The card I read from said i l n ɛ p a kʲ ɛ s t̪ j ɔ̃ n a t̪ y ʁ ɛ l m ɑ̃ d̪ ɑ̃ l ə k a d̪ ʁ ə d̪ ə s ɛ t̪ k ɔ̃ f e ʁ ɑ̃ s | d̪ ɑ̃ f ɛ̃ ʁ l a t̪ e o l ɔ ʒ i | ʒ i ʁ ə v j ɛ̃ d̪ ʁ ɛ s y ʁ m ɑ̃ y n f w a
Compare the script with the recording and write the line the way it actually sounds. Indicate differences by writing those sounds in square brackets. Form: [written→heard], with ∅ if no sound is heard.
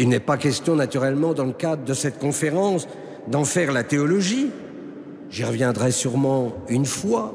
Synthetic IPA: i l n ɛ p a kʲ ɛ s t̪ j ɔ̃ n a t̪ y ʁ ɛ l m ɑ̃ d̪ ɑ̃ l ə k a d̪ ʁ ə d̪ ə s ɛ t̪ k ɔ̃ f e ʁ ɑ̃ s | d̪ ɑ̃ f [ɛ̃→ɛ] ʁ l a t̪ e [o→ɔ] l ɔ ʒ i | ʒ i ʁ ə v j ɛ̃ d̪ ʁ ɛ s y ʁ m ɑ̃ y n f w a